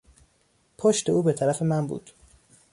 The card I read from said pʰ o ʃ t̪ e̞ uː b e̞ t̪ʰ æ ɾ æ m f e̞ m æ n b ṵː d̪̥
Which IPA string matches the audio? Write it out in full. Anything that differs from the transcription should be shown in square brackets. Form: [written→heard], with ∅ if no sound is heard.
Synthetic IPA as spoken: pʰ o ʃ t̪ e̞ uː b e̞ t̪ʰ æ ɾ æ [m→∅] f e̞ m æ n b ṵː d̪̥